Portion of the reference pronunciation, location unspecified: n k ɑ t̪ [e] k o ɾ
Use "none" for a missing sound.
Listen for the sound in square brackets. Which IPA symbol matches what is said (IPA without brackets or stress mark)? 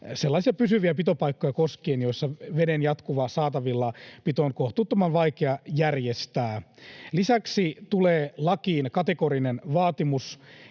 e